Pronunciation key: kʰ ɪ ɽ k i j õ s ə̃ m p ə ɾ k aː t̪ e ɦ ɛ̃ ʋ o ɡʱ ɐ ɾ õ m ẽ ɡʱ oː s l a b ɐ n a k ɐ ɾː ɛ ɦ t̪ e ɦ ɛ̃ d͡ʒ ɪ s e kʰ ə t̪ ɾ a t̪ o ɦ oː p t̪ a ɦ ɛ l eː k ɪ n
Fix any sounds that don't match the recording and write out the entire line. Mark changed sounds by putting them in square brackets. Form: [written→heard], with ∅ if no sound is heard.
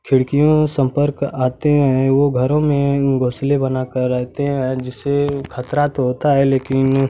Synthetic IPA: kʰ ɪ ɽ k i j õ s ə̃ m p ə ɾ k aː t̪ e ɦ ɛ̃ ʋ o ɡʱ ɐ ɾ õ m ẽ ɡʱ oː s l [a→e] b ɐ n a k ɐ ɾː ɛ ɦ t̪ e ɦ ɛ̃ d͡ʒ ɪ s e kʰ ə t̪ ɾ a t̪ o ɦ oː [p→∅] t̪ a ɦ ɛ l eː k ɪ n

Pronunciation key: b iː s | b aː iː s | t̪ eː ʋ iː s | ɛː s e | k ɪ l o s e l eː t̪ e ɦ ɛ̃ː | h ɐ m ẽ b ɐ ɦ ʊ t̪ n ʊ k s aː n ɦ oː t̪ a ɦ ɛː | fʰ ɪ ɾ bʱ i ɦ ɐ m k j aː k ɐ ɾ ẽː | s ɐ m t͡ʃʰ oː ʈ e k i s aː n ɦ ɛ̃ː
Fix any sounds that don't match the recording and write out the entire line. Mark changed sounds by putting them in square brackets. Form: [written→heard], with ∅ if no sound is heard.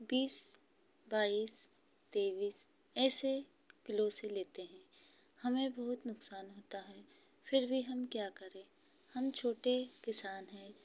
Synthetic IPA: b iː s | b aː iː s | t̪ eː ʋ iː s | ɛː s e | k ɪ l o s e l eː t̪ e ɦ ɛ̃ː | h ɐ m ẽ b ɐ ɦ ʊ t̪ n ʊ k s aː n ɦ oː t̪ a ɦ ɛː | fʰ ɪ ɾ bʱ i ɦ ɐ m k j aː k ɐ ɾ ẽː | [s→h] ɐ m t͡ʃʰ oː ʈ e k [i→ɪ] s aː n ɦ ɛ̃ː

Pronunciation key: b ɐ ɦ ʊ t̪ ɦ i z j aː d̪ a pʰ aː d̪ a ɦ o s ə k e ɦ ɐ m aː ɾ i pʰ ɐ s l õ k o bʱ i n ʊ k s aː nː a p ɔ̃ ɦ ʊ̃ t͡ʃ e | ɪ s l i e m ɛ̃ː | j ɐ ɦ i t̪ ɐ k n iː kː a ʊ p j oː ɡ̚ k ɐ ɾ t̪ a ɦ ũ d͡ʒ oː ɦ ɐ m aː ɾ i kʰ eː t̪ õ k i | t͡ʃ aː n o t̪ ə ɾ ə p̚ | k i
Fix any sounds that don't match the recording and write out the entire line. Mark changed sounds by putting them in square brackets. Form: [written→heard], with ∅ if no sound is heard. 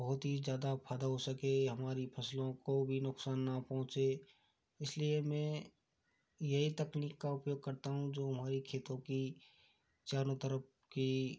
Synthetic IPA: b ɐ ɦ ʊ t̪ ɦ i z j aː d̪ a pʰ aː d̪ a ɦ o s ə k e ɦ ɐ m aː ɾ i pʰ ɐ s l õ k o bʱ i n ʊ k s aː nː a p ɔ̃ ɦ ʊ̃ t͡ʃ e | ɪ s l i e m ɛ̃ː | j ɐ ɦ i t̪ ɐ k n iː kː a ʊ p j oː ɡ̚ k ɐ ɾ t̪ a ɦ ũ d͡ʒ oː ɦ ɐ m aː ɾ i kʰ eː t̪ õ k i | t͡ʃ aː n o t̪ ə ɾ ə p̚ | k i

